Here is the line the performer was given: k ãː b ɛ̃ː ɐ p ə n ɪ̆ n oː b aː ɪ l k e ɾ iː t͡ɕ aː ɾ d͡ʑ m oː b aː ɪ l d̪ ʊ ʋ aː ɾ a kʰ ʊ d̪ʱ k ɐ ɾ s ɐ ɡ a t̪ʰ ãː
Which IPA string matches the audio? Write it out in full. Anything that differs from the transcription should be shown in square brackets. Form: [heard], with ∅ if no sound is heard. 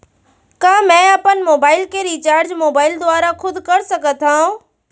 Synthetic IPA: k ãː [m] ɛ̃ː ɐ p ə n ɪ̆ [m] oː b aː ɪ l k e ɾ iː t͡ɕ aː ɾ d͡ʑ m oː b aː ɪ l d̪ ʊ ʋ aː ɾ a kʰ ʊ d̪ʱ k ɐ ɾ s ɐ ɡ [ə] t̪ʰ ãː